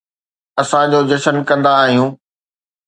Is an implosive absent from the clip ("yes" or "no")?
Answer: yes